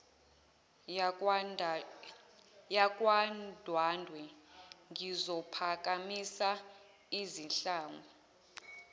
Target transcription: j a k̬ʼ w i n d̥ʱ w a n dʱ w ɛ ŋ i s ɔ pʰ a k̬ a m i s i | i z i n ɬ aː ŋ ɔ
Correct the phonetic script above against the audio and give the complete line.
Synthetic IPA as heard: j a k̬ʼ w a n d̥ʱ w a n dʱ w ɛ ŋ i z ɔ pʰ a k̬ a m i s a | i z i n ɬ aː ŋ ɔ